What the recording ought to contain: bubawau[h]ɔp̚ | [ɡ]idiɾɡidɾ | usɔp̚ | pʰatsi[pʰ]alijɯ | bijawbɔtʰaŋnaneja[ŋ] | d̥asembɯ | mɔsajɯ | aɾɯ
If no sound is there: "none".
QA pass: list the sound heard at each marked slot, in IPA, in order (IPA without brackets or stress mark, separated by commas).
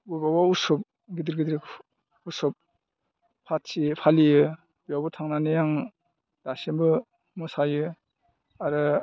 s, ɡ, pʰ, ŋ